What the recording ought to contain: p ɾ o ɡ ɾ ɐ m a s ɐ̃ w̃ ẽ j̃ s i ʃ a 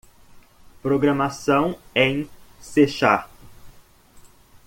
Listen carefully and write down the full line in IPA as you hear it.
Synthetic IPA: p ɾ o ɡ ɾ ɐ m a s ɐ̃ w̃ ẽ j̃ s e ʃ a